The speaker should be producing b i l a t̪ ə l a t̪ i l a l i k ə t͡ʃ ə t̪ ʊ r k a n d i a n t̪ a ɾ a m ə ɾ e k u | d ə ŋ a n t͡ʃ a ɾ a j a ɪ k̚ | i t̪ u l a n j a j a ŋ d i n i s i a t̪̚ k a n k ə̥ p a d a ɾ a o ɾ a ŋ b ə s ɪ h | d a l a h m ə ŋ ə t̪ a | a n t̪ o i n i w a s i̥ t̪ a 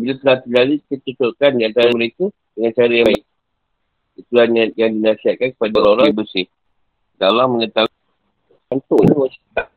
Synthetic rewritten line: b i l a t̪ ə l a t̪ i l a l i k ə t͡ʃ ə t̪ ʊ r k a n d i a n t̪ a ɾ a m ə ɾ e k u | d ə ŋ a n t͡ʃ a ɾ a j a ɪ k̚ | i t̪ u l a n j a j a ŋ d i n a s i a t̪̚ k a n k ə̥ p a d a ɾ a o ɾ a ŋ b ə s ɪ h | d a l a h m ə ŋ ə t̪ a | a n t̪ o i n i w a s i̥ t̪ a